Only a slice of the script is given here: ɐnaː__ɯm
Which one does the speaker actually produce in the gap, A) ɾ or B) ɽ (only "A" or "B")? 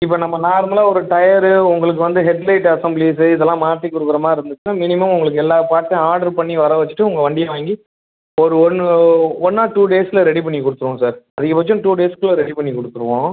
A